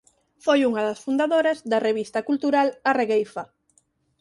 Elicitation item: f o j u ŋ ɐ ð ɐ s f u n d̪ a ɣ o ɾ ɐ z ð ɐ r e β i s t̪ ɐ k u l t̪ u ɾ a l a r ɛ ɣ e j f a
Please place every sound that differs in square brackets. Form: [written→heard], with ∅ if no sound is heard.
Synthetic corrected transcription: f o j u ŋ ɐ ð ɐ s f u n d̪ a [ɣ→ð] o ɾ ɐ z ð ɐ r e β i s t̪ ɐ k u l t̪ u ɾ a l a r [ɛ→e] ɣ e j f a